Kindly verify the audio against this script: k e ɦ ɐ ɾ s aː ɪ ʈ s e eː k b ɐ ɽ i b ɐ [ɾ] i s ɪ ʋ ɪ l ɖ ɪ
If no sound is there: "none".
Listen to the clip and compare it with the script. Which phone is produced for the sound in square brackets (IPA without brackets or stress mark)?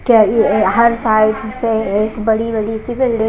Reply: ɽ